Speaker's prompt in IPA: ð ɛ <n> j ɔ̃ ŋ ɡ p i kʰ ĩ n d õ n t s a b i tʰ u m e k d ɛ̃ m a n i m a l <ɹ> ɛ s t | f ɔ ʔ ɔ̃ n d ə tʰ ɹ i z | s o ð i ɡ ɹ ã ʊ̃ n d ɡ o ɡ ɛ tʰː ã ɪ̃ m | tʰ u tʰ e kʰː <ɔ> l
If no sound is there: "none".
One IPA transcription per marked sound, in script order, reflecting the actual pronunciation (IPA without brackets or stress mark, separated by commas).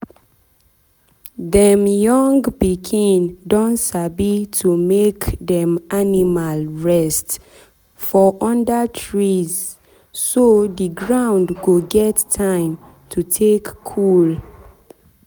m, ɹ, u